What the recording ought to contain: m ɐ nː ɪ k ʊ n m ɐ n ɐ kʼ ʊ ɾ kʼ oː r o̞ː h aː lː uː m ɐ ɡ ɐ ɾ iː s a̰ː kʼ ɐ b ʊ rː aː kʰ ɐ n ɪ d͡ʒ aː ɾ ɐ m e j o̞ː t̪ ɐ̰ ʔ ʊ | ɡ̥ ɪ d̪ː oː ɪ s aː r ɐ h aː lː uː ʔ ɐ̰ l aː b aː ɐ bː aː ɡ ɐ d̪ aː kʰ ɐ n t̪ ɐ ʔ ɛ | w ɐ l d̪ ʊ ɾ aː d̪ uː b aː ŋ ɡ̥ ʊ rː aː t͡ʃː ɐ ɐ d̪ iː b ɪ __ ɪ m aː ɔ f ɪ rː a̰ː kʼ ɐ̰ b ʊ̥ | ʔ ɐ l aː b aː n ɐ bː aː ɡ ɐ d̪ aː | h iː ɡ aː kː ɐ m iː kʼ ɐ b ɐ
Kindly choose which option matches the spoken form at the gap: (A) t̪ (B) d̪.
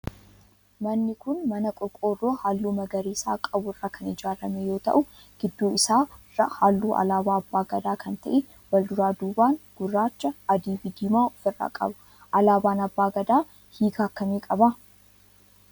B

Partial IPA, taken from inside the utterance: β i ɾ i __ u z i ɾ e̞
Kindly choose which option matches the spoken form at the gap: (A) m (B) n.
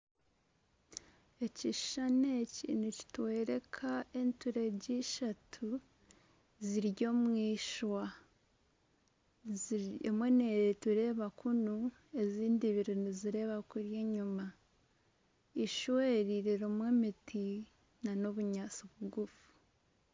B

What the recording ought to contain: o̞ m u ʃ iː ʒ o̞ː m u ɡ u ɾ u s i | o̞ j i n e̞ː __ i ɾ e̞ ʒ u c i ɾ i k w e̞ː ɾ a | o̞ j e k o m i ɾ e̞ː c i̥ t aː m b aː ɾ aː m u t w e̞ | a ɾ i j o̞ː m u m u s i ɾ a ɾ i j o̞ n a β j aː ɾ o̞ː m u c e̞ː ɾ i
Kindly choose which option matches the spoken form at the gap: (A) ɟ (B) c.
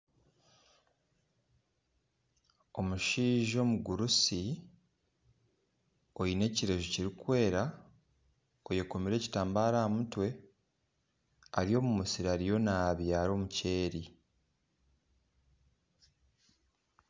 B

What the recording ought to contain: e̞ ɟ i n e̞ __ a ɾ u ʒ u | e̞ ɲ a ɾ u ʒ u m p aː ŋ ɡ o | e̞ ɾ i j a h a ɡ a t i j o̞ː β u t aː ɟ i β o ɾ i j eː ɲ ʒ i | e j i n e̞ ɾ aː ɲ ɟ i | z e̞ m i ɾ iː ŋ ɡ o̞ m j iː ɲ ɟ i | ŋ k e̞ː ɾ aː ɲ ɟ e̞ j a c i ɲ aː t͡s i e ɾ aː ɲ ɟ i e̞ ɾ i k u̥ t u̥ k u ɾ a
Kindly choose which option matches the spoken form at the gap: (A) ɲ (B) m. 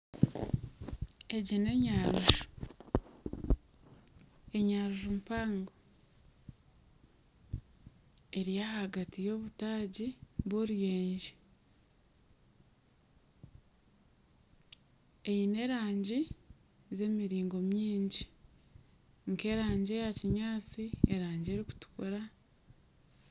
A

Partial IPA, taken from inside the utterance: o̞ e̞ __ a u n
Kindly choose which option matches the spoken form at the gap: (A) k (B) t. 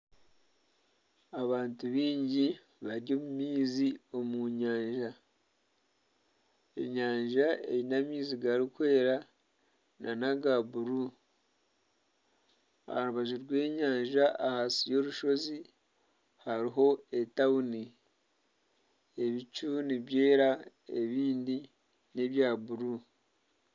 B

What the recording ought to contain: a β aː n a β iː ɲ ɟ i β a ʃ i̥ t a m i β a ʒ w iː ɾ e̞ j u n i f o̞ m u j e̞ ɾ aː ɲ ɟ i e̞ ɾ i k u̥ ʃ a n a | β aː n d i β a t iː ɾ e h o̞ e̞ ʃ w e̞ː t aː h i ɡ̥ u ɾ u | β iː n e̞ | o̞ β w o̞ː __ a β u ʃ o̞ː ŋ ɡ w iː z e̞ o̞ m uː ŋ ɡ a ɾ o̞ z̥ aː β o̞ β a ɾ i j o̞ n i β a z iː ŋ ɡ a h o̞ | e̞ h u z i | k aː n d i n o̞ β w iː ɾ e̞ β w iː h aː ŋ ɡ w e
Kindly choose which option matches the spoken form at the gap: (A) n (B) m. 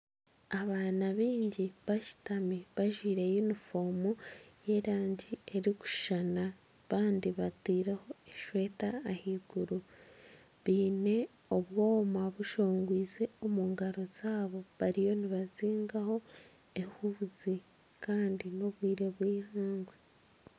B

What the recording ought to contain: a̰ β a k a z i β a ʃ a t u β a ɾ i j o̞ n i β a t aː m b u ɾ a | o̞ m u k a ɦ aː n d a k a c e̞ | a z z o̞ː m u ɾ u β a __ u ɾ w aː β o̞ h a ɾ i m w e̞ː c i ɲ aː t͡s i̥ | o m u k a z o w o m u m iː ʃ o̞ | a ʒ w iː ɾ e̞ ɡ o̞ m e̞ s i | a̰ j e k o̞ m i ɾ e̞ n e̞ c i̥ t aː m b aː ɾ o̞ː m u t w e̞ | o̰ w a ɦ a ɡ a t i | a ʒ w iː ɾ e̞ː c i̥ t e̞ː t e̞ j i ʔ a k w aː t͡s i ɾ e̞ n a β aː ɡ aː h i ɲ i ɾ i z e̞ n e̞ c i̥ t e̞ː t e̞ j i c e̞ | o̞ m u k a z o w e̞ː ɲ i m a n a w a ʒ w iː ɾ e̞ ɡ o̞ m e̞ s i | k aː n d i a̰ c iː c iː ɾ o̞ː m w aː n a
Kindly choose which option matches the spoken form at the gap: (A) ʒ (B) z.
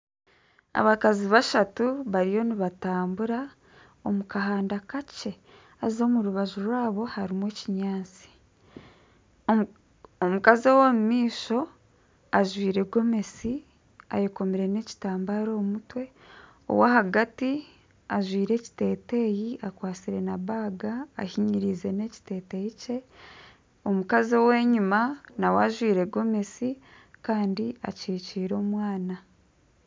A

